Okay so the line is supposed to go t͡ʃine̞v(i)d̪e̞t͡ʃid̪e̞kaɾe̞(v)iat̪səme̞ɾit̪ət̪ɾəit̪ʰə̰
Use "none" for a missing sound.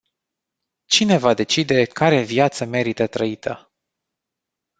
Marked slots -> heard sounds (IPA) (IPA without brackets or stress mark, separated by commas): a, v